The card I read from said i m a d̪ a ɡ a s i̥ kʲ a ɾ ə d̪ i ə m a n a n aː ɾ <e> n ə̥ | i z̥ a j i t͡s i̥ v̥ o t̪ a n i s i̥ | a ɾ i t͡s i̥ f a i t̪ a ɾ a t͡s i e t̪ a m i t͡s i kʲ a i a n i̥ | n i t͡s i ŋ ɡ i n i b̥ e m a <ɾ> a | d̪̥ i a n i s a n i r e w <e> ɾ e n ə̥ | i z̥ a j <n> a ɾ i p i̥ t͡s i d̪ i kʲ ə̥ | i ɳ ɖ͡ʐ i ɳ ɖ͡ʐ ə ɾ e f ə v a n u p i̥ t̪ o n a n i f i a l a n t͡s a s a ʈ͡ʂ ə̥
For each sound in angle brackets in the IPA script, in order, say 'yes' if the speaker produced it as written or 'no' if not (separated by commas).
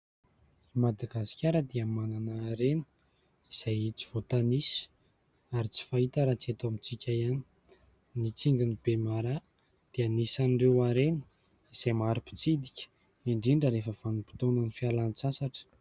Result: yes, yes, no, no